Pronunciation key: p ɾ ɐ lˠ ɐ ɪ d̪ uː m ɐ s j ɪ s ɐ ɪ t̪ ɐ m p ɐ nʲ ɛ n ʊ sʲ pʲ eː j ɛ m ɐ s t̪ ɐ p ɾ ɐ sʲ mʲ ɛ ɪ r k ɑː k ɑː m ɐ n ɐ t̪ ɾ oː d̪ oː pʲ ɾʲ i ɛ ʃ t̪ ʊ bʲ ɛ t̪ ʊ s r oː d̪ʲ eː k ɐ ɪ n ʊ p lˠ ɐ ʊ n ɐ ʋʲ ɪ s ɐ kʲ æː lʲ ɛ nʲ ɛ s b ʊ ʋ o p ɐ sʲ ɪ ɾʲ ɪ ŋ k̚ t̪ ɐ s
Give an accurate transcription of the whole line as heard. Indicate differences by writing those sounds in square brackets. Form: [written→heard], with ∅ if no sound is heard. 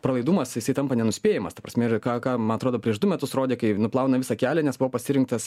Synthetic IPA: p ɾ ɐ lˠ ɐ ɪ d̪ uː m ɐ s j ɪ s ɐ ɪ t̪ ɐ m p ɐ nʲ ɛ n ʊ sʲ pʲ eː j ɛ m ɐ s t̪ ɐ p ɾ ɐ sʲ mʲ ɛ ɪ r k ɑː k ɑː m ɐ n ɐ t̪ ɾ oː d̪ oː pʲ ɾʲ i ɛ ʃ [t̪→d̪] ʊ [bʲ→mʲ] ɛ t̪ ʊ s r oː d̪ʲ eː k ɐ ɪ n ʊ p lˠ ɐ ʊ n ɐ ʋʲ ɪ s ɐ kʲ æː lʲ ɛ nʲ ɛ s b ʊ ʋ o p ɐ sʲ ɪ ɾʲ ɪ ŋ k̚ t̪ ɐ s